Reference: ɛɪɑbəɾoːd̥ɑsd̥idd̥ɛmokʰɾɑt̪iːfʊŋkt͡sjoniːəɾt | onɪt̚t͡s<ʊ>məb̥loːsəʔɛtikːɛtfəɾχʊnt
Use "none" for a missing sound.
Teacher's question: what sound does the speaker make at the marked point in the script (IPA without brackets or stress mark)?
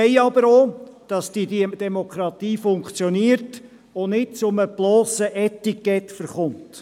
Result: ʊ